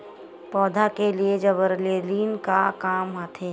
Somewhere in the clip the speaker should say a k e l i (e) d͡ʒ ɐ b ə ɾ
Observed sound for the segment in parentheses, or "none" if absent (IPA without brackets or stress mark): e